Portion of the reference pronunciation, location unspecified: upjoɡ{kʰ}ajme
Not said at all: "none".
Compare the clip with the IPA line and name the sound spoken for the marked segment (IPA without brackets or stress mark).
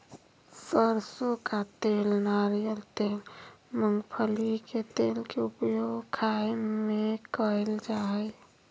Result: kʰ